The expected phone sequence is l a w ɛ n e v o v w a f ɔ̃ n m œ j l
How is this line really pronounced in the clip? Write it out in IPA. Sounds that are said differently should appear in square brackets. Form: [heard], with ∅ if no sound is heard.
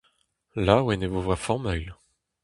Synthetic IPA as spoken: l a w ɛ n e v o v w a f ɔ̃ [∅] m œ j l